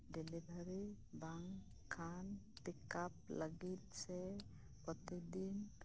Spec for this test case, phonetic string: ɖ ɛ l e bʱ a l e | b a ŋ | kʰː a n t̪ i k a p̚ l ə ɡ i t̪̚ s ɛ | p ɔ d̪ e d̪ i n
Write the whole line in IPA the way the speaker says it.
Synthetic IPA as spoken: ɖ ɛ l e bʱ a ɾ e | b a ŋ | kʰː a n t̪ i k a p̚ l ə ɡ i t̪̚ s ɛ | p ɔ t̪ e d̪ i n

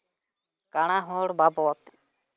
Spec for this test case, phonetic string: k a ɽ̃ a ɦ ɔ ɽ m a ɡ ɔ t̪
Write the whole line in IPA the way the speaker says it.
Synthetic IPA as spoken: k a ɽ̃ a ɦ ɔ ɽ b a b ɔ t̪

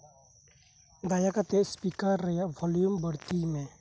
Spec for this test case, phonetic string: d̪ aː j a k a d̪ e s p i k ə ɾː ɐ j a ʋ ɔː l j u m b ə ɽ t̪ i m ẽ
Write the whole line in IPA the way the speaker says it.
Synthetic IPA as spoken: d̪ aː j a k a t̪ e s p i k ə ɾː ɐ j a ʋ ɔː l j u m b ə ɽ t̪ i m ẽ

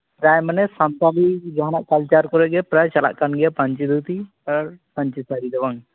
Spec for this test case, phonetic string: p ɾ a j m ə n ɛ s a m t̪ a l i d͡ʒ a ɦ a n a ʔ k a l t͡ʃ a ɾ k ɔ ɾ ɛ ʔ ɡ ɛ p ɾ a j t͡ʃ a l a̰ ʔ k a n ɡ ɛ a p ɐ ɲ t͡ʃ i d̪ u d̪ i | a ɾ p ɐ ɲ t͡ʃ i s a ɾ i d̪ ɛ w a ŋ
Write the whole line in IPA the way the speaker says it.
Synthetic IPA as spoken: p ɾ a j m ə n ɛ s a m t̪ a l i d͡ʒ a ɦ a n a ʔ k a l t͡ʃ a ɾ k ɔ ɾ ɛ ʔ ɡ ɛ p ɾ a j t͡ʃ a l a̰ ʔ k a n ɡ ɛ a p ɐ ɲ t͡ʃ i d̪ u t̪ i | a ɾ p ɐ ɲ t͡ʃ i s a ɾ i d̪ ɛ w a ŋ

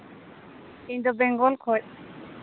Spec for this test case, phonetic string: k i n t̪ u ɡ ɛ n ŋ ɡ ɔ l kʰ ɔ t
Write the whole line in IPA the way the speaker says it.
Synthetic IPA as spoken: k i n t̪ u b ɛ ŋ ɡ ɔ l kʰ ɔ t

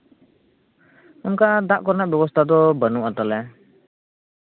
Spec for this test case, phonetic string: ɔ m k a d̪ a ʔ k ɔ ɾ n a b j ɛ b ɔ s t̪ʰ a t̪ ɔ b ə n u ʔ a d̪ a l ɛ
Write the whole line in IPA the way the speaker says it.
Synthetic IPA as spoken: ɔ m k a d̪ a ʔ k ɔ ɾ n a b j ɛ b ɔ s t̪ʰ a d̪ ɔ b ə n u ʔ a t̪ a l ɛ

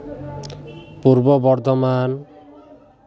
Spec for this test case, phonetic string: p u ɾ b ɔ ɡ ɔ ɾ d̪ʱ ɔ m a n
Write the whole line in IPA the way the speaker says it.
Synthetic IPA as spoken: p u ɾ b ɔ b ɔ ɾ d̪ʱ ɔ m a n

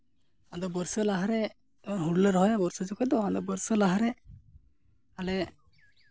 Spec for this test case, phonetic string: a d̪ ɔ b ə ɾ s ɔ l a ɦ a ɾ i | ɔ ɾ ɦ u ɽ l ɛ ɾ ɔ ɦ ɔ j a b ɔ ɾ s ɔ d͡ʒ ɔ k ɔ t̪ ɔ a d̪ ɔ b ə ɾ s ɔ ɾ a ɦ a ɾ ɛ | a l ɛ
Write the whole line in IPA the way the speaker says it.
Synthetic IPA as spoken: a d̪ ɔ b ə ɾ s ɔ l a ɦ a ɾ ɛ | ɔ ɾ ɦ u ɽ l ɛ ɾ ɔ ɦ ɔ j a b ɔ ɾ s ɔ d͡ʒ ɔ k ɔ d̪ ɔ a d̪ ɔ b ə ɾ s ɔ l a ɦ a ɾ ɛ | a l ɛ

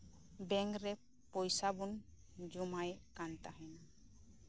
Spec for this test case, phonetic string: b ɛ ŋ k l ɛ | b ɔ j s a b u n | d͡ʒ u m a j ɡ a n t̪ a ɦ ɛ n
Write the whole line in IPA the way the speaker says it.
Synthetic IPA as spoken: b ɛ ŋ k ɾ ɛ | p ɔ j s a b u n | d͡ʒ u m a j k a n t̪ a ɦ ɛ n

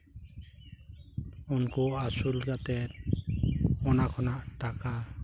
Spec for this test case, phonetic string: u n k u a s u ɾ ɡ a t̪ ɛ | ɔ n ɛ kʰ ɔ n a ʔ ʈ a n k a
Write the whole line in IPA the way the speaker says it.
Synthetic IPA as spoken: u n k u a s u l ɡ a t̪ ɛ | ɔ n a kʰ ɔ n a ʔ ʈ a k a

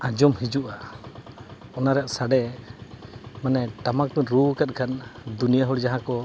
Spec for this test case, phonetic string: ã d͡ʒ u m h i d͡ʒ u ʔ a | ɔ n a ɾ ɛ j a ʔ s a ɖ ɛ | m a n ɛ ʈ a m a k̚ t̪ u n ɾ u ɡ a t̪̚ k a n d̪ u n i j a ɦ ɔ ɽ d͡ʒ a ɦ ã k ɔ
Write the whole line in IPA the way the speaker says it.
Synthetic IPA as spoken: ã d͡ʒ ɔ m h i d͡ʒ u ʔ a | ɔ n a ɾ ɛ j a ʔ s a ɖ ɛ | m a n ɛ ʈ a m a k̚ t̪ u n ɾ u k a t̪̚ kʰ a n d̪ u n i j a ɦ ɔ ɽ d͡ʒ a ɦ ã k ɔ

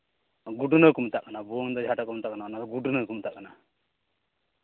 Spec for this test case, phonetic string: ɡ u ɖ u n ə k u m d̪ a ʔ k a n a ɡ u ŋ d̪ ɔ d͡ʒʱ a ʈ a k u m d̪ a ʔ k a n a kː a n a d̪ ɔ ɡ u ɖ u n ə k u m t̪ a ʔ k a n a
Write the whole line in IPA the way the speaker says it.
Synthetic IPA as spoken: ɡ u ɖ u n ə k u m t̪ a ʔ k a n a b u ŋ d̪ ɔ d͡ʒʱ a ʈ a k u m t̪ a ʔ k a n a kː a n a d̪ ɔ ɡ u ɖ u n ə k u m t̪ a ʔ k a n a

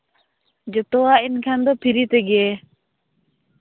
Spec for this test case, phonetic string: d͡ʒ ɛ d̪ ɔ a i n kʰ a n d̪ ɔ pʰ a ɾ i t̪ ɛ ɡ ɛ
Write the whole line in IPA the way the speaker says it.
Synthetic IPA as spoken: d͡ʒ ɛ t̪ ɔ a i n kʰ a n d̪ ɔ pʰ i ɾ i t̪ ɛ ɡ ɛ

